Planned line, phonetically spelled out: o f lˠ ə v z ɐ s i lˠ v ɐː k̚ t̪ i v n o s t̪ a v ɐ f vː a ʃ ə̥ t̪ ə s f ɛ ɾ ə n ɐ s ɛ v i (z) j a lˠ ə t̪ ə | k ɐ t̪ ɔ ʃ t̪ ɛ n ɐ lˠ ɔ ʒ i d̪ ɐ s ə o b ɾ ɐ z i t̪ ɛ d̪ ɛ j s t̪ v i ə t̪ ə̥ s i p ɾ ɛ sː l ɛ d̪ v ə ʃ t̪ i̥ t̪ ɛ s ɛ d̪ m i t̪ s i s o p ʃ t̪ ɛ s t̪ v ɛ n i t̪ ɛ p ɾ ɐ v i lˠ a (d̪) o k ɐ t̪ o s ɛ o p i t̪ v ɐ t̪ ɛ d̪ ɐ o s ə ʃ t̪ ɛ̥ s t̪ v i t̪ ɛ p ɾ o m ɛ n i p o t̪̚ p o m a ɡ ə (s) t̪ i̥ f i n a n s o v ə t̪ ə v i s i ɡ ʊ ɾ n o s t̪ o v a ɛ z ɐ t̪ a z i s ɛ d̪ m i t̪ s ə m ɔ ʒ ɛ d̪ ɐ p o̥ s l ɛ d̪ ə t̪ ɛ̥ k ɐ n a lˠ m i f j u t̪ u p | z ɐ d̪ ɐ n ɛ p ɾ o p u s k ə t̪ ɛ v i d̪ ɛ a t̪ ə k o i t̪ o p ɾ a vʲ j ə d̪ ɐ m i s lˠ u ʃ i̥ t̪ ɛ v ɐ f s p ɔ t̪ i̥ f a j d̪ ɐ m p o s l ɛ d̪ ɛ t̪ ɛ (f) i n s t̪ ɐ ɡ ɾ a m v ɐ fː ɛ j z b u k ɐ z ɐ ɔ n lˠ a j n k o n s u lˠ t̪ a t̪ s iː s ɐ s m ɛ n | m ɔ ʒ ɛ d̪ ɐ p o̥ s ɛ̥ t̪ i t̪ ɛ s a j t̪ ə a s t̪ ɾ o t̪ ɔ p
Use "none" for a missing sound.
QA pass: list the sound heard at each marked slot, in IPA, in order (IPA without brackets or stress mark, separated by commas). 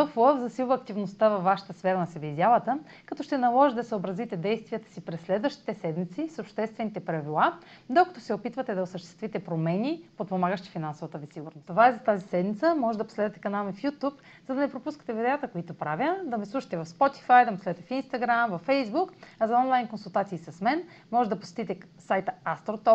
z, d̪, ʃ, f